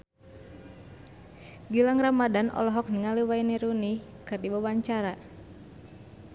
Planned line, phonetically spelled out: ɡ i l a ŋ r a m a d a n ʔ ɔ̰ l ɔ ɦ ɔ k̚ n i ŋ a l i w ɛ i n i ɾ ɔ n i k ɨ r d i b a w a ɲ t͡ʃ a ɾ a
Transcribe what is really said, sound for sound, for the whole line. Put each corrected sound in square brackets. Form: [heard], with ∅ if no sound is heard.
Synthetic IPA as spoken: ɡ i l a ŋ r a m a d a n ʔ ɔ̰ l ɔ ɦ ɔ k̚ n i ŋ a l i w [a] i n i ɾ [u] n i k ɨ r d i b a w a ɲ t͡ʃ a ɾ a

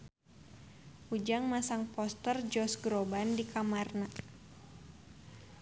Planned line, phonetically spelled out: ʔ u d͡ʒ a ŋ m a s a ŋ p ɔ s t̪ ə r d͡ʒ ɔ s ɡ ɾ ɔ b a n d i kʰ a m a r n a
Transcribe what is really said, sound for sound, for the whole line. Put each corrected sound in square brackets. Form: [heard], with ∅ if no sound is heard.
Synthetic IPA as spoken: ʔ u d͡ʒ a ŋ m a s a ŋ p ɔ s t̪ ə r d͡ʒ ɔ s ɡ ɾ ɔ b a n d i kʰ a m a r n a

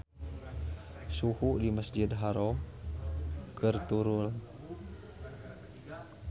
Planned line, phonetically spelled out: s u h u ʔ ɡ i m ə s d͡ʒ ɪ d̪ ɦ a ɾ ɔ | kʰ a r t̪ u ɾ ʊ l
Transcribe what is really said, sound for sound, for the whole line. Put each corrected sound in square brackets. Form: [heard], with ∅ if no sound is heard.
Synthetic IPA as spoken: s u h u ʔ [d] i m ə s d͡ʒ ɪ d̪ ɦ a ɾ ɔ | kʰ [ə] r t̪ u ɾ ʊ l

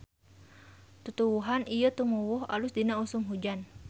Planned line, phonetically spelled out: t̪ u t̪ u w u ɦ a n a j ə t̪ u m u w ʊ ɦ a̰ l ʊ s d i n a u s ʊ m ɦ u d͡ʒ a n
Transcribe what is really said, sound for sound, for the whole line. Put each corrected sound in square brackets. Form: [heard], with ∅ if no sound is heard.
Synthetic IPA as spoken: t̪ u t̪ u w u ɦ a n [i] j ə t̪ u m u w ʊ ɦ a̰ l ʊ s d i n a u s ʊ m ɦ u d͡ʒ a n

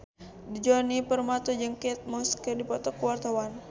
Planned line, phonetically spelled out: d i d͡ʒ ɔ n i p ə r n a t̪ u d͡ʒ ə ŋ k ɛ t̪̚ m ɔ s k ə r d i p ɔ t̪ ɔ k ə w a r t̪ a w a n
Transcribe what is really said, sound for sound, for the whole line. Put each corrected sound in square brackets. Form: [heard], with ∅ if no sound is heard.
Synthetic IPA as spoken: d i d͡ʒ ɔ n i p ə r [m] a t̪ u d͡ʒ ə ŋ k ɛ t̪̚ m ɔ s k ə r d i p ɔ t̪ ɔ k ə w a r t̪ a w a n

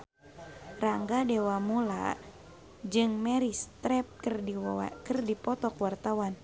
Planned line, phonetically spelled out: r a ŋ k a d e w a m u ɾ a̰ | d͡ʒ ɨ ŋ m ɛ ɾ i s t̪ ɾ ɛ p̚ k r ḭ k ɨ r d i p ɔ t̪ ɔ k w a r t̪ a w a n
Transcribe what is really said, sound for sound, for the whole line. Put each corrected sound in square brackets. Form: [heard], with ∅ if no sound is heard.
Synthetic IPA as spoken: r a ŋ [ɡ] a d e w a m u [l] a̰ | d͡ʒ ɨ ŋ m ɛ ɾ i s t̪ ɾ ɛ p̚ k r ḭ k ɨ r d i p ɔ t̪ ɔ k w a r t̪ a w a n

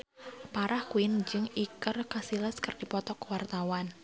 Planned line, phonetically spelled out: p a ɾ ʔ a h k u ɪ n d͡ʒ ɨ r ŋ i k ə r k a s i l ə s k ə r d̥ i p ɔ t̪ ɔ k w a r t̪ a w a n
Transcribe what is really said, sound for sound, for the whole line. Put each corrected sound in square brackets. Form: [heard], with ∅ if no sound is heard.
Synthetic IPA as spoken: p a ɾ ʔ a h k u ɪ n d͡ʒ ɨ [∅] ŋ i k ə r k a s i l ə s k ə r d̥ i p ɔ t̪ ɔ k w a r t̪ a w a n

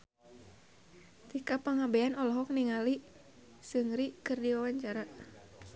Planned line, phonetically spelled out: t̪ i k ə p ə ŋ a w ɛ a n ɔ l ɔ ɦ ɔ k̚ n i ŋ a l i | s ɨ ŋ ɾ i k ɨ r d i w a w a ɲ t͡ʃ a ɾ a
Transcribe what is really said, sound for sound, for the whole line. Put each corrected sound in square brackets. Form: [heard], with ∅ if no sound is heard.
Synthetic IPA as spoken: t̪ i k [a] p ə ŋ a [b] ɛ a n ɔ l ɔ ɦ ɔ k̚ n i ŋ a l i | s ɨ ŋ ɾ i k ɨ r d i w a w a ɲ t͡ʃ a ɾ a

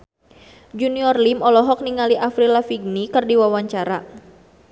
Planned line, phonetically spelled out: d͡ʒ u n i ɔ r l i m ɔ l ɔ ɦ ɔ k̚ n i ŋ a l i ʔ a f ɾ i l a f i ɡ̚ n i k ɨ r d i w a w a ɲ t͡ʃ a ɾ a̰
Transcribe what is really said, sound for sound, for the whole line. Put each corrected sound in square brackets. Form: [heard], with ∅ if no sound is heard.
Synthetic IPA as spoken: d͡ʒ u n i ɔ r l i m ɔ l ɔ ɦ ɔ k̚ n i ŋ a l i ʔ a f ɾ i l a f i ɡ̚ n i k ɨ r d i w a w a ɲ t͡ʃ a ɾ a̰

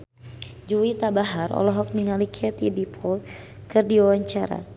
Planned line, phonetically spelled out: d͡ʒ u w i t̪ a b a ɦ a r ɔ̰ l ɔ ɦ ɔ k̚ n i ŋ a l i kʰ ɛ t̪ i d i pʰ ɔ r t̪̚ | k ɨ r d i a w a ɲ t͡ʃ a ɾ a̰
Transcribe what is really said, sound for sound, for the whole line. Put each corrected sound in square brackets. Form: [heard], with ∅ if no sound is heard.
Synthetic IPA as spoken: d͡ʒ u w i t̪ a b a ɦ a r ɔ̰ l ɔ ɦ ɔ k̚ n i ŋ a l i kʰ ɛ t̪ i d i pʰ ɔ [l] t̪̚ | k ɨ r d i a w a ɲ t͡ʃ a ɾ a̰

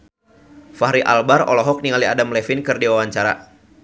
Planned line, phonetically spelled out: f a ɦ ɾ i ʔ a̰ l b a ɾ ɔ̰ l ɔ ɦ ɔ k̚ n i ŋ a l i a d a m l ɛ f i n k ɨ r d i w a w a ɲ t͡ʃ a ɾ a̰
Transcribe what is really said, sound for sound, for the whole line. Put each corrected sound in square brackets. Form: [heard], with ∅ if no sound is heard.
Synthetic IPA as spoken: f a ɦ ɾ i ʔ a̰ l b a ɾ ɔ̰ l ɔ ɦ ɔ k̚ n i ŋ a l i a d a m l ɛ f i n k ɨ r d i w a w a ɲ t͡ʃ a ɾ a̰

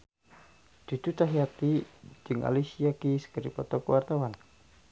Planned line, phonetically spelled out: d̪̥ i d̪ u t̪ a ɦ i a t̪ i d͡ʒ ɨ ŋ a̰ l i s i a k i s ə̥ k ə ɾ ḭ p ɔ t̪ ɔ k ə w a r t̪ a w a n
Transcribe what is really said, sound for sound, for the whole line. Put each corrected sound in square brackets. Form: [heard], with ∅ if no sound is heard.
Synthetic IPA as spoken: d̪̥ i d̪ u t̪ a ɦ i a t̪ i d͡ʒ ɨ ŋ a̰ l i s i a k i s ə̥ k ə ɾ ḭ p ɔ t̪ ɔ k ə w a r t̪ a w a n

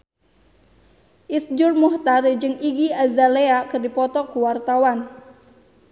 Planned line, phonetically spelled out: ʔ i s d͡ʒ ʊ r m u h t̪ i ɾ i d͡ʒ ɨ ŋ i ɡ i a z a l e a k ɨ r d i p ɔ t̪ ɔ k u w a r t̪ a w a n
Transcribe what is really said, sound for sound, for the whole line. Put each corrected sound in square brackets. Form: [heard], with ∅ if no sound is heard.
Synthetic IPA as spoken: ʔ i s d͡ʒ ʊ r m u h t̪ [a] ɾ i d͡ʒ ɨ ŋ i ɡ i a z a l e a k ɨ r d i p ɔ t̪ ɔ k u w a r t̪ a w a n

